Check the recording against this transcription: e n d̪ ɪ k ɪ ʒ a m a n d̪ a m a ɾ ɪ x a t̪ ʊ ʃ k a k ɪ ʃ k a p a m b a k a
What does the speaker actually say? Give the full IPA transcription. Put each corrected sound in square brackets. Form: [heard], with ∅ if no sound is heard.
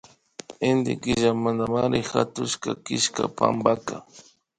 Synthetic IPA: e n d̪ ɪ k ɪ ʒ a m a n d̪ a m a ɾ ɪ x a t̪ ʊ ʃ k a k ɪ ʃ k a p a m b a k a